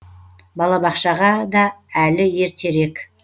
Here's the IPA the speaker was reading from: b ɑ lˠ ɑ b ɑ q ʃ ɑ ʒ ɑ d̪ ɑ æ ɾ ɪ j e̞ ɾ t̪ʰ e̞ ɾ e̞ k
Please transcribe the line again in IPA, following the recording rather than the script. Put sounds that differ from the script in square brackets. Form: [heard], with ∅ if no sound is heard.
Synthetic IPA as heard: b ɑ lˠ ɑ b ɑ q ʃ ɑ [ʁ] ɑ d̪ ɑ æ [l] ɪ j e̞ ɾ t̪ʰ e̞ ɾ e̞ k